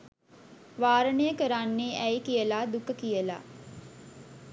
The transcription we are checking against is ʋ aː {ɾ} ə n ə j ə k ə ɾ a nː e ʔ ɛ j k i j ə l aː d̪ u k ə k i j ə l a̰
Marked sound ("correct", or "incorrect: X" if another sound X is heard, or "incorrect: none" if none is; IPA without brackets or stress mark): correct